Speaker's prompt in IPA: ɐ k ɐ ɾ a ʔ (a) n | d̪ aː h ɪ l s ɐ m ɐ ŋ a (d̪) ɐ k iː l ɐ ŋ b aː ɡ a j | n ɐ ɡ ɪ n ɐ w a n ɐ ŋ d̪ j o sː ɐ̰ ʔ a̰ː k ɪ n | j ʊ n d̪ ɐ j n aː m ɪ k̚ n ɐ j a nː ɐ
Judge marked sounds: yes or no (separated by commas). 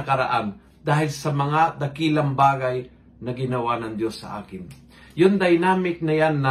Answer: yes, yes